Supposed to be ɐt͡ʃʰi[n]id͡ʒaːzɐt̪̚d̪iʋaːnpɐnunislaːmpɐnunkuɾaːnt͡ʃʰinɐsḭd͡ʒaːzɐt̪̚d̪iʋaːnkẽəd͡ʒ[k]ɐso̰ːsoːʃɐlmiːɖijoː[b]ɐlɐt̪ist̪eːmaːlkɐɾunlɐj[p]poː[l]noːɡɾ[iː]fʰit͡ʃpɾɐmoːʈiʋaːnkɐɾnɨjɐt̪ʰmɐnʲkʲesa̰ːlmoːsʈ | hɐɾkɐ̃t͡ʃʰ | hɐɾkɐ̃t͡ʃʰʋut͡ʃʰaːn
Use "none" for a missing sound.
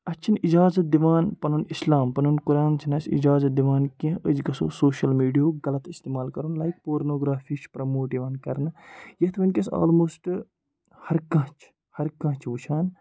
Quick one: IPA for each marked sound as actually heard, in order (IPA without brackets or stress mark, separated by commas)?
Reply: n, ɡ, ɡ, k, ɾ, aː